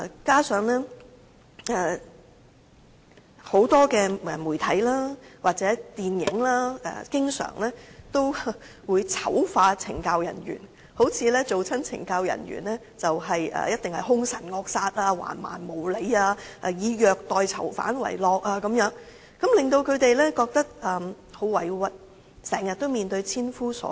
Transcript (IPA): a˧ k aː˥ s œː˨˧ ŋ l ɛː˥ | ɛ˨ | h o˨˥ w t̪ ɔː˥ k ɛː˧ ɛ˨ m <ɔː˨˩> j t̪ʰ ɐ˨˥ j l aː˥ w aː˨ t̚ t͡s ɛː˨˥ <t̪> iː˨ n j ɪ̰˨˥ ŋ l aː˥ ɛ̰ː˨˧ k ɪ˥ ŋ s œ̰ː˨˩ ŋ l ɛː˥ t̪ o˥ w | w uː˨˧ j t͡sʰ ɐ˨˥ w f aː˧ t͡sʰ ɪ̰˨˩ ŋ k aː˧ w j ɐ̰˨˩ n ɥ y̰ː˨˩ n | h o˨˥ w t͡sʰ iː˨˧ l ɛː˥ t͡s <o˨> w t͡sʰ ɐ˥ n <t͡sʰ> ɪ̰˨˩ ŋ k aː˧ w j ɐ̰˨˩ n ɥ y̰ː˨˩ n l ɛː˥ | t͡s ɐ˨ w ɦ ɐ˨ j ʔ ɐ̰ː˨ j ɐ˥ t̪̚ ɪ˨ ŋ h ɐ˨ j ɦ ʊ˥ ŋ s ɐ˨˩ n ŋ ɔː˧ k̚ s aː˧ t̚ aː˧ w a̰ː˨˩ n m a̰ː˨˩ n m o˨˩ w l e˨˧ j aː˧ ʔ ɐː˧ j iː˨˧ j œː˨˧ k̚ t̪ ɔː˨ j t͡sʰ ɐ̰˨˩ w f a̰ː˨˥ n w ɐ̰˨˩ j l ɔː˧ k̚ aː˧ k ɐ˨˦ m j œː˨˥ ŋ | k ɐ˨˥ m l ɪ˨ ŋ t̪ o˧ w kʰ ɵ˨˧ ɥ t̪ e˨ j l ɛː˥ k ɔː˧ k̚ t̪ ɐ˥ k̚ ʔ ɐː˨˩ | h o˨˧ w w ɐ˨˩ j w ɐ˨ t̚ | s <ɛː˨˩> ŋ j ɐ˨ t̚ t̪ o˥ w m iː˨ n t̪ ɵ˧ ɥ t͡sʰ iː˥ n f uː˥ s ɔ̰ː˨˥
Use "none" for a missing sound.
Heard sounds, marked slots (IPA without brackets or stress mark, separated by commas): uː˨˩, t̪, o˨, t͡sʰ, ɛː˨˩